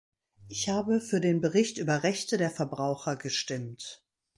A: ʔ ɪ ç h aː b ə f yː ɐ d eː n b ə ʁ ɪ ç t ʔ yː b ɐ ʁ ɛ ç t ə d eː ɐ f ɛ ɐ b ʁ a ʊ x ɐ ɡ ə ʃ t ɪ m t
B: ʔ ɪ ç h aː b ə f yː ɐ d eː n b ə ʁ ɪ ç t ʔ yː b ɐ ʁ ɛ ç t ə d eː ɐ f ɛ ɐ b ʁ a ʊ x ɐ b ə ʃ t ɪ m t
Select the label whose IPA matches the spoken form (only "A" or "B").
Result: A